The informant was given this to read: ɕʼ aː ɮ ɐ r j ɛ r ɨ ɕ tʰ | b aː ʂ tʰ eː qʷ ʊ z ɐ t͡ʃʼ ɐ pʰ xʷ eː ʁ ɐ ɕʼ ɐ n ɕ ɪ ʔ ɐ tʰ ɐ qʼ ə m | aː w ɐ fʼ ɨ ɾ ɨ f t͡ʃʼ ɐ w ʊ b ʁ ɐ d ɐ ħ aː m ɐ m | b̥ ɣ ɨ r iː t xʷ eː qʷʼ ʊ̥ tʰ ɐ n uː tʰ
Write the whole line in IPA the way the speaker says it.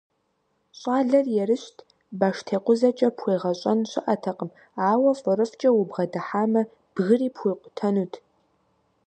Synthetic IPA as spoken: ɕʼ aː ɮ ɐ r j ɛ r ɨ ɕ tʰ | b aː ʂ tʰ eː qʷ ʊ z ɐ t͡ʃʼ ɐ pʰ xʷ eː ʁ ɐ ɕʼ ɐ n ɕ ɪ ʔ ɐ tʰ ɐ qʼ ə m | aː w ɐ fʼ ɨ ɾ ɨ f t͡ʃʼ ɐ w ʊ b ʁ ɐ d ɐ ħ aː m ɐ | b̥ ɣ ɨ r iː p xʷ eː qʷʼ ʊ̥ tʰ ɐ n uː tʰ